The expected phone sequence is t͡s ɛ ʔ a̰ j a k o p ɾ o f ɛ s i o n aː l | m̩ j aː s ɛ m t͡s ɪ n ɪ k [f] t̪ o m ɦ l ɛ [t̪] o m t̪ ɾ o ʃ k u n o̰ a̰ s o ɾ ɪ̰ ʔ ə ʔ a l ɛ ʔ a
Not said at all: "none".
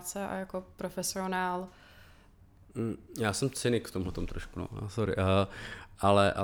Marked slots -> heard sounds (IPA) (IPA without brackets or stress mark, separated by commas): f, t̪